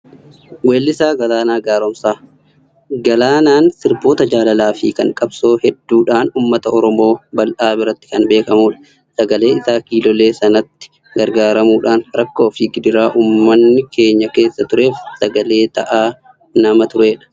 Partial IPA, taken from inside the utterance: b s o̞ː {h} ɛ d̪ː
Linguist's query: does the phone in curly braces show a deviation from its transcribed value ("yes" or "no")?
no